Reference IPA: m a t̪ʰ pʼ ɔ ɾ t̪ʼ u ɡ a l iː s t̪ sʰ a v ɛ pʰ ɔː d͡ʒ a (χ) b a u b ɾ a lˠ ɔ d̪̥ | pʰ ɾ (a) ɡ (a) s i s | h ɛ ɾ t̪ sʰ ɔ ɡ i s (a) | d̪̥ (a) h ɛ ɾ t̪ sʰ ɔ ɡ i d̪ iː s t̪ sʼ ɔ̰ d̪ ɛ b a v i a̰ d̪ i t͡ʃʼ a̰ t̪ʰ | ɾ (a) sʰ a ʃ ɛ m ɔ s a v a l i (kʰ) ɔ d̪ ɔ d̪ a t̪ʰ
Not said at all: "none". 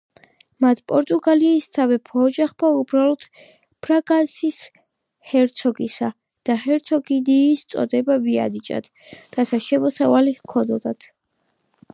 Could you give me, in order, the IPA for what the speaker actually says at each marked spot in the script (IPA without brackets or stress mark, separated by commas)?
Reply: χ, a, a, a, a, a, kʰ